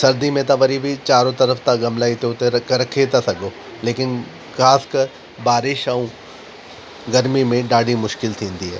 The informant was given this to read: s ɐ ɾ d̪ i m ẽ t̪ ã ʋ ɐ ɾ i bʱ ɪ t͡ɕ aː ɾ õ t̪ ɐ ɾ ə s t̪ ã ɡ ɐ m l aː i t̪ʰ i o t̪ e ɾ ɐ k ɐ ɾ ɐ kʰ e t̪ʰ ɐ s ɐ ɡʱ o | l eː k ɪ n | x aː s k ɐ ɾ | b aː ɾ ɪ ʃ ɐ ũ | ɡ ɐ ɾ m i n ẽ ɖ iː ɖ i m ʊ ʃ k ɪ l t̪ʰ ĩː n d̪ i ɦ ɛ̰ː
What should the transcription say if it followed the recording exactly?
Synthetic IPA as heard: s ɐ ɾ d̪ i m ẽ t̪ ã ʋ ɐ ɾ i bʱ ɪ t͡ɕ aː ɾ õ t̪ ɐ ɾ ə f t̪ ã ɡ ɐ m l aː i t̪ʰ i o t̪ e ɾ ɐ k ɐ ɾ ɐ kʰ e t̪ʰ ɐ s ɐ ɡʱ o | l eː k ɪ n | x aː s k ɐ ɾ | b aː ɾ ɪ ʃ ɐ ũ | ɡ ɐ ɾ m i m ẽ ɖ aː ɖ i m ʊ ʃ k ɪ l t̪ʰ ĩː n d̪ i ɦ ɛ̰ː